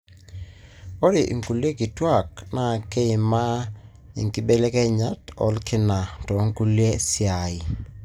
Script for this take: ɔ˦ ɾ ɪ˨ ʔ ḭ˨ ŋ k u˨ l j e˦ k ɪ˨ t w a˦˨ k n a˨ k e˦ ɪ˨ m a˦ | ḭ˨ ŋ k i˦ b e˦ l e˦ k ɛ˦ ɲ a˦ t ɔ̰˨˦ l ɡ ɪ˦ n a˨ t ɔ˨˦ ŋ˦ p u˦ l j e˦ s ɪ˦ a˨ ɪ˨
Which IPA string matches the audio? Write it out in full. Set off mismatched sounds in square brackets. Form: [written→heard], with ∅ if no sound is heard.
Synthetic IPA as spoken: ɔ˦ ɾ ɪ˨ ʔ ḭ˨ ŋ k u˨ l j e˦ k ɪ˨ t w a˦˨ k n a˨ k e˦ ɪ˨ m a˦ | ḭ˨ ŋ k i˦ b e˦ l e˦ k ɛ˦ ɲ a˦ t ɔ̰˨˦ l [ɡ→k] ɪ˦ n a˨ t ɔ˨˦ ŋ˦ [p→k] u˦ l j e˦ s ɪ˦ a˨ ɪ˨